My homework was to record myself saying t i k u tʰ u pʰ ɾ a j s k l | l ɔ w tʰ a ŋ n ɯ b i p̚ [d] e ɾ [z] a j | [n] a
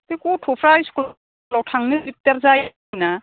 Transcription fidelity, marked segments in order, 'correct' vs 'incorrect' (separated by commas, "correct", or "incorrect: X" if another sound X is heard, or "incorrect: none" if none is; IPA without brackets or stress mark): incorrect: t, correct, correct